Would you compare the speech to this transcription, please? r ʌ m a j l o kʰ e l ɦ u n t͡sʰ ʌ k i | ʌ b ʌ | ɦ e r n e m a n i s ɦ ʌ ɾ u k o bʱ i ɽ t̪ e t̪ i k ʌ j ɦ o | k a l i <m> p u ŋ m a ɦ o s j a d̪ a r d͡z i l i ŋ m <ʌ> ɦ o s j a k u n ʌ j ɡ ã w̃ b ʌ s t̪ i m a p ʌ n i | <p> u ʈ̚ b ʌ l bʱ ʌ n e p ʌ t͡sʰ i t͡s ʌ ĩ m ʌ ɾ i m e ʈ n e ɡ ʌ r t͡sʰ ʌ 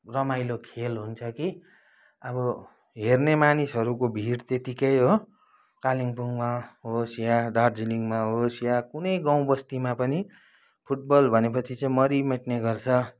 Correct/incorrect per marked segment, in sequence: incorrect: ŋ, incorrect: a, incorrect: pʰ

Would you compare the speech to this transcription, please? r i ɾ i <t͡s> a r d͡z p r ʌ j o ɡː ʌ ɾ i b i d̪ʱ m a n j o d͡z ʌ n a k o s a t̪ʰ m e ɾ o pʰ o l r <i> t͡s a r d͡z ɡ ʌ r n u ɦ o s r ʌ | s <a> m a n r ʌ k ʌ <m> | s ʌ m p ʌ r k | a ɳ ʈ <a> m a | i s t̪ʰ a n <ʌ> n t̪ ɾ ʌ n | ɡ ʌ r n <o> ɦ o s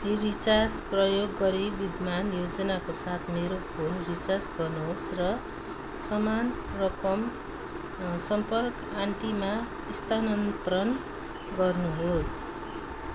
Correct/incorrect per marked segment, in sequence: correct, correct, incorrect: ʌ, correct, incorrect: i, correct, incorrect: u

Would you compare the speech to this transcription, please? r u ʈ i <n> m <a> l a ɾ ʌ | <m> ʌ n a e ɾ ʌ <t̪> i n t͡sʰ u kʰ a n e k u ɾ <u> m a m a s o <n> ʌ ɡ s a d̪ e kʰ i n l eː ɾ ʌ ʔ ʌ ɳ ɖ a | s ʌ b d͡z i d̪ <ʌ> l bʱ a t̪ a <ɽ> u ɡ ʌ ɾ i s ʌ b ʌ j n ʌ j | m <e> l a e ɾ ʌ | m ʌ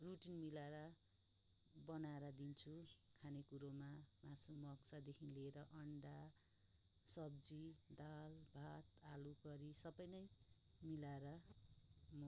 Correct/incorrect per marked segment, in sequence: correct, incorrect: i, incorrect: b, incorrect: d̪, incorrect: o, incorrect: m, incorrect: a, incorrect: l, incorrect: i

